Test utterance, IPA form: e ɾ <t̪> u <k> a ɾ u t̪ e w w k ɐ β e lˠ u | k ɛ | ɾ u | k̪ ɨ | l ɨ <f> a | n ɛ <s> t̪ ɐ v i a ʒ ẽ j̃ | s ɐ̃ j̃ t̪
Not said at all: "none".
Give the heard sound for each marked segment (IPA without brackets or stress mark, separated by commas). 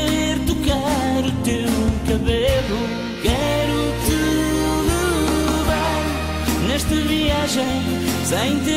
t̪, k, v, ʃ